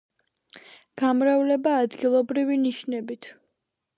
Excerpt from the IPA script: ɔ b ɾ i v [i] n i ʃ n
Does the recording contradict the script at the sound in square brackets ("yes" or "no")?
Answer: no